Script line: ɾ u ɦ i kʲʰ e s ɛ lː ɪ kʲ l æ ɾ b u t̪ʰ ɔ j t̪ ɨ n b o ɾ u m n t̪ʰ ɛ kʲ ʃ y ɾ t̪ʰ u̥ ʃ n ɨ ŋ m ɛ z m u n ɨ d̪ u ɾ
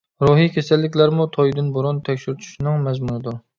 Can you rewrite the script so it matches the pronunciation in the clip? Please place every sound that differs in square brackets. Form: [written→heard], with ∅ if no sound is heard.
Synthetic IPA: ɾ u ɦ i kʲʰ e s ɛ lː ɪ kʲ l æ ɾ [b→m] u t̪ʰ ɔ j [t̪→d̪] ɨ n b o ɾ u [m→∅] n t̪ʰ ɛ kʲ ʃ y ɾ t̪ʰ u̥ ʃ n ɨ ŋ m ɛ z m u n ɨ d̪ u ɾ